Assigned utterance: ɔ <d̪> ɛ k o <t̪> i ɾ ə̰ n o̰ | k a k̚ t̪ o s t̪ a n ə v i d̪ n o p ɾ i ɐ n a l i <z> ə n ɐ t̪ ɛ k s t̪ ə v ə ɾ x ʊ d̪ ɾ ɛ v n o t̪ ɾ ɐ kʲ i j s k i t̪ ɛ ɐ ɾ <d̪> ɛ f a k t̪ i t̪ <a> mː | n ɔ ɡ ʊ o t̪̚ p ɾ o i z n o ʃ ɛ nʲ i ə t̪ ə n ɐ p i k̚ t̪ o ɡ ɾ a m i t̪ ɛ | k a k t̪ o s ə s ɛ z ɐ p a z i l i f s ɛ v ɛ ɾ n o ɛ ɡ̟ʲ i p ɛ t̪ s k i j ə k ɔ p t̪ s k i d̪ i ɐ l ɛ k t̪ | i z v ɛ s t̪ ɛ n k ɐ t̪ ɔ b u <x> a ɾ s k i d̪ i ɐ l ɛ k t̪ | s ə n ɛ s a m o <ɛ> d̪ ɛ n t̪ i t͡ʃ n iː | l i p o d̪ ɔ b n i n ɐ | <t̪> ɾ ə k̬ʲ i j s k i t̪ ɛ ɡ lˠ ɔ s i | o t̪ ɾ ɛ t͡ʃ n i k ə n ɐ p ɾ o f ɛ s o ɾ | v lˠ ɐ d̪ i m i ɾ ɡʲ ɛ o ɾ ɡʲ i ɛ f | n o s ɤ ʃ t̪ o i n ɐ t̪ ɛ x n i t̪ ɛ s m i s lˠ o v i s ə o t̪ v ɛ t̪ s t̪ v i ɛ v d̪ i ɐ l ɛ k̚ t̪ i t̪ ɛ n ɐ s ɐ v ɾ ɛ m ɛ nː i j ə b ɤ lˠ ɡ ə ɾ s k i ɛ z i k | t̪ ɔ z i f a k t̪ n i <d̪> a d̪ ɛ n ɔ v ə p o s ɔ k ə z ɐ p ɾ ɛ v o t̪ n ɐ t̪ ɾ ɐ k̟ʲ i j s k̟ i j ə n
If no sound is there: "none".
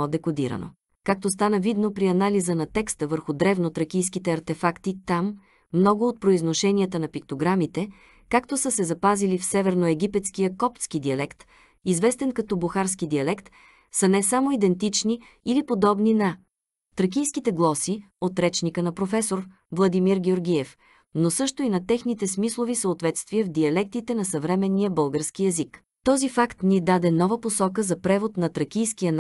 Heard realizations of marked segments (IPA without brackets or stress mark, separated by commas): d̪, d̪, z, t̪, a, x, i, t̪, d̪